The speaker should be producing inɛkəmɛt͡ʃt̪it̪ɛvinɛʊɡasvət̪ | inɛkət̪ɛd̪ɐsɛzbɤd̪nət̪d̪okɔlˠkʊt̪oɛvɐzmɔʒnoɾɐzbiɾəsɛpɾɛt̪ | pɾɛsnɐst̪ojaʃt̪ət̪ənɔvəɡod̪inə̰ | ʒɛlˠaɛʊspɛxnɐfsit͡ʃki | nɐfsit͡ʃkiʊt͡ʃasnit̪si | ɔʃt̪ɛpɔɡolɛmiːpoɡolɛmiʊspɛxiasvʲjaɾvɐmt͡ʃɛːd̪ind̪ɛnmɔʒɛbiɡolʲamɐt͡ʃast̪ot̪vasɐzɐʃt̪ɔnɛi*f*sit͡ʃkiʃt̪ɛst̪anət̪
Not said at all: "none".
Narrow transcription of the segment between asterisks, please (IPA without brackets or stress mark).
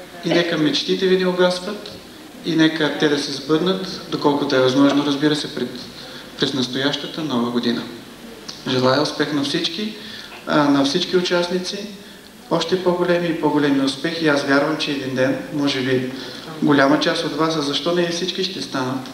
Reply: f